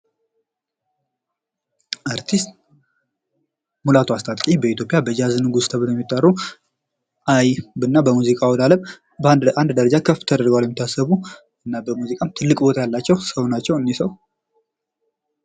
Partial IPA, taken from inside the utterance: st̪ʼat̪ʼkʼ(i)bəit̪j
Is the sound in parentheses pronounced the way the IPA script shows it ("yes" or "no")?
yes